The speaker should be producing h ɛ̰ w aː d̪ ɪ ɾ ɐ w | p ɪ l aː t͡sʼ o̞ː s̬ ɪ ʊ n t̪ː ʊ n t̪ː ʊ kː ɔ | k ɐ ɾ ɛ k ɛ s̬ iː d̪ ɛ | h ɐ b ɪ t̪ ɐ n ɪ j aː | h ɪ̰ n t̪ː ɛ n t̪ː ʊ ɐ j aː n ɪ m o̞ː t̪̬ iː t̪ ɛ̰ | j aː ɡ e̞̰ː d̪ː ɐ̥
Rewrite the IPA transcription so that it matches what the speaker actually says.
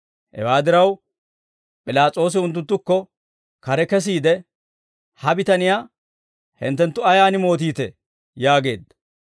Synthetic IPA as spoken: h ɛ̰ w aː d̪ ɪ ɾ ɐ w | pʼ ɪ l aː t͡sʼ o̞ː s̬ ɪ ʊ n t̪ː ʊ n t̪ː ʊ kː ɔ | k ɐ ɾ ɛ k ɛ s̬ iː d̪ ɛ | h ɐ b ɪ t̪ ɐ n ɪ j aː | h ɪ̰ n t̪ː ɛ n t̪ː ʊ ɐ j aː n ɪ m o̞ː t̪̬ iː t̪ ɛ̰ | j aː ɡ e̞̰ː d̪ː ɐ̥

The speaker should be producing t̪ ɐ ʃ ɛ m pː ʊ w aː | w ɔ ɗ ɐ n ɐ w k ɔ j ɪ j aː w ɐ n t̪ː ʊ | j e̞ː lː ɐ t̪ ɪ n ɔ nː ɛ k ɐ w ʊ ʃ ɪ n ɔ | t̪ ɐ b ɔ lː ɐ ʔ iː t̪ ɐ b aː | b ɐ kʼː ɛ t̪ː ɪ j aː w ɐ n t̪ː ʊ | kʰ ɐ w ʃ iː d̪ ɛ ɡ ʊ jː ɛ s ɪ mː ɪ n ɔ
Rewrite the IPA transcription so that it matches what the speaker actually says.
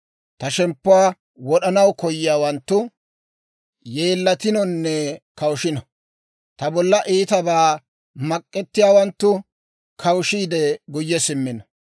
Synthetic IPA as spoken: t̪ ɐ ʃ ɛ m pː ʊ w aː | w ɔ ɗ ɐ n ɐ w k ɔ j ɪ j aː w ɐ n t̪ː ʊ | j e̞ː lː ɐ t̪ ɪ n ɔ nː ɛ k ɐ w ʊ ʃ ɪ n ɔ | t̪ ɐ b ɔ lː ɐ ʔ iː t̪ ɐ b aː | m ɐ kʼː ɛ t̪ː ɪ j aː w ɐ n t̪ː ʊ | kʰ ɐ w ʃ iː d̪ ɛ ɡ ʊ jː ɛ s ɪ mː ɪ n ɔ

